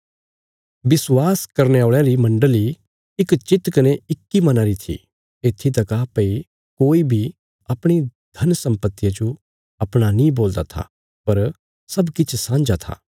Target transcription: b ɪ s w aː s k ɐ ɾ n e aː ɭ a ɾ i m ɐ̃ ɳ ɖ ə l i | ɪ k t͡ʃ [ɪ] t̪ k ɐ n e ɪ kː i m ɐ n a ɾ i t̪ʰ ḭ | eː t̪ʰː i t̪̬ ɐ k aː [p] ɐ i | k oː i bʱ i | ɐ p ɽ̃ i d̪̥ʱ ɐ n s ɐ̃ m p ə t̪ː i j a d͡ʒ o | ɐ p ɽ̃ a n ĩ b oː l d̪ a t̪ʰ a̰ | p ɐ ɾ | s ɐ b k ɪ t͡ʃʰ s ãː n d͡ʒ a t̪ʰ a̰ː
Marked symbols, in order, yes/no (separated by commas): yes, yes